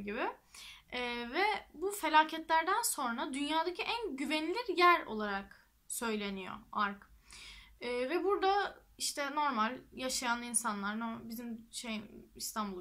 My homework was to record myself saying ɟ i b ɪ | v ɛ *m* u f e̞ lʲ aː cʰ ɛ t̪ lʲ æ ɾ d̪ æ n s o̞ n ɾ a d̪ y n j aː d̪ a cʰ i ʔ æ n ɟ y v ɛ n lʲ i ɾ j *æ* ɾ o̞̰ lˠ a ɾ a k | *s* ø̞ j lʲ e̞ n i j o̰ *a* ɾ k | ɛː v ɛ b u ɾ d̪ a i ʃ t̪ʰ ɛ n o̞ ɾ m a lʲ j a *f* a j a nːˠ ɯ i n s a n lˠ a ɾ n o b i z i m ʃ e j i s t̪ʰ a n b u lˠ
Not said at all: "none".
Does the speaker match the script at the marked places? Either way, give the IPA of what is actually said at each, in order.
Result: b, æ, s, a, ʃ

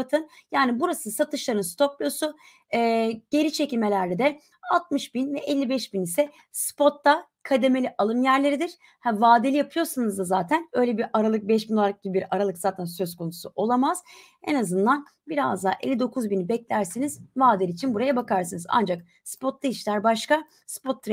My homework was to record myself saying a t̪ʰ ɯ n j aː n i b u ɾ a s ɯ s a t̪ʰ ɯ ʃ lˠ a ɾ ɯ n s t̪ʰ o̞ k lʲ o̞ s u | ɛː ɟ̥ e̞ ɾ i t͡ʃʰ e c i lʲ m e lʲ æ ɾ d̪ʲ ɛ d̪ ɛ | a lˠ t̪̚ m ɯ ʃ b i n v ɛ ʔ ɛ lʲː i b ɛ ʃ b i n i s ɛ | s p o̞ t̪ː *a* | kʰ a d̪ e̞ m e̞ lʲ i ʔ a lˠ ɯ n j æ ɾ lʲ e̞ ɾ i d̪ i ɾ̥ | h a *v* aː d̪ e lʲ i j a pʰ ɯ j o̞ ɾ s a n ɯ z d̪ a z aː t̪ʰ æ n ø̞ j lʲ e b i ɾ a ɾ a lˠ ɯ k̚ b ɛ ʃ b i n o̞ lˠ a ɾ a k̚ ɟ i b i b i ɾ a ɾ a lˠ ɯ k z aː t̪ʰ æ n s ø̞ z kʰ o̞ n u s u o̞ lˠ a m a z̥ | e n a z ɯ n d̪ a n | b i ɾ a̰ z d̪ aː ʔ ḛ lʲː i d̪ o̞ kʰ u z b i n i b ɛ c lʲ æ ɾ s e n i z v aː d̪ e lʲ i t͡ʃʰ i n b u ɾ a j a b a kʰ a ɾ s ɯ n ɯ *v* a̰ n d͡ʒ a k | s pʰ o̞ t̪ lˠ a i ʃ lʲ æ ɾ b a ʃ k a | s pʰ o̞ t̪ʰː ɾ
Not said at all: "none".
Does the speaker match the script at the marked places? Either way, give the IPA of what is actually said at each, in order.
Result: a, v, z

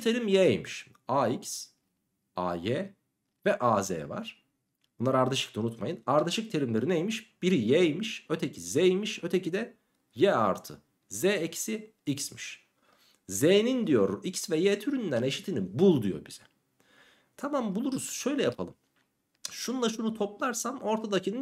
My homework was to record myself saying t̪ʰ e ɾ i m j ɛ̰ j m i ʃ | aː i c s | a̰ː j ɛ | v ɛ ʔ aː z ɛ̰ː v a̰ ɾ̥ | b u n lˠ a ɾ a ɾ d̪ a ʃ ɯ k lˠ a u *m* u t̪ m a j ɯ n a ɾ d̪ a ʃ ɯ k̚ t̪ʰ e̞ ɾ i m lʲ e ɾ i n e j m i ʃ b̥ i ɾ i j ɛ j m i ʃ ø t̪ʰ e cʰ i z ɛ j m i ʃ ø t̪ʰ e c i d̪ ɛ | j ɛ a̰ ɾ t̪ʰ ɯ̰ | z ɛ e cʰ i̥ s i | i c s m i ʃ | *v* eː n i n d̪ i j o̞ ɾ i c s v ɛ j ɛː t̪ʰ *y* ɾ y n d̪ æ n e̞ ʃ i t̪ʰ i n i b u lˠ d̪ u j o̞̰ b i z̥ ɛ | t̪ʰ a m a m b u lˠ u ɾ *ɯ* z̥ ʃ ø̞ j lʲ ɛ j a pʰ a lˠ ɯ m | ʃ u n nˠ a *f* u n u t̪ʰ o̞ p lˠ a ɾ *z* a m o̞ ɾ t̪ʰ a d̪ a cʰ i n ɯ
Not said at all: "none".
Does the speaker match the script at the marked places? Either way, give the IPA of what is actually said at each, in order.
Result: n, z, y, u, ʃ, s

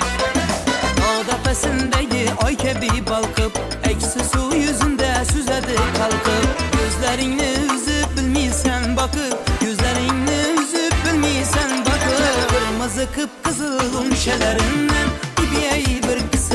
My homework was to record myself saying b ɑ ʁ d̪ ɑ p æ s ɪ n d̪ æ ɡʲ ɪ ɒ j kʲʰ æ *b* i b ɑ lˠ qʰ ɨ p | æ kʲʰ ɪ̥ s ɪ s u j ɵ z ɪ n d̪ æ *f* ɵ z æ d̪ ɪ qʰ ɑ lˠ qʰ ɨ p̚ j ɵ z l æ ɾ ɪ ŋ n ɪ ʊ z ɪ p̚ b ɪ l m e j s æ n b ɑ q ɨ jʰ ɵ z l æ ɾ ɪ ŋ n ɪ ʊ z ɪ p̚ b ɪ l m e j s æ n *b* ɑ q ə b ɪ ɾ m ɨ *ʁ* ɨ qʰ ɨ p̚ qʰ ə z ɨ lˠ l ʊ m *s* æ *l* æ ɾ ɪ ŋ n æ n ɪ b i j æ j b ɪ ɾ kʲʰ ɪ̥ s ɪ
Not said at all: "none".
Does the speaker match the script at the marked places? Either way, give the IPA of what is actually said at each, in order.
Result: b, s, b, z, ʃ, l

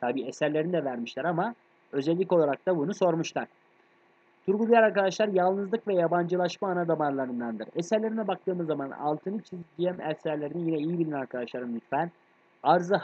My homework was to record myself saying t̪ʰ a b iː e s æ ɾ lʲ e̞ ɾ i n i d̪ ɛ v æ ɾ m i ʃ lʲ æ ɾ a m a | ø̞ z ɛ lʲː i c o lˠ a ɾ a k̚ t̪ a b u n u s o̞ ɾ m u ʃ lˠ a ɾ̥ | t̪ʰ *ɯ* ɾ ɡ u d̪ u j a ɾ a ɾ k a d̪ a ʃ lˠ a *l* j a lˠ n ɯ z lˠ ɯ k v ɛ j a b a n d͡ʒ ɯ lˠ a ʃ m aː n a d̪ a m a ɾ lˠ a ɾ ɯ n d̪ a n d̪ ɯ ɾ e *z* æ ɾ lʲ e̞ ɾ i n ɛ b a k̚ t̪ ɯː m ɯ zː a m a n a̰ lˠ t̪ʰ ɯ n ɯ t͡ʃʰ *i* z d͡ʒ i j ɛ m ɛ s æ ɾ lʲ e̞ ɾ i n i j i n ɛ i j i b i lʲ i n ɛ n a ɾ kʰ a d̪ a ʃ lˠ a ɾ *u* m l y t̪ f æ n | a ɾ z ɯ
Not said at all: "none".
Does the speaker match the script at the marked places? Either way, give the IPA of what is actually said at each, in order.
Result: u, ɾ, s, i, ɯ

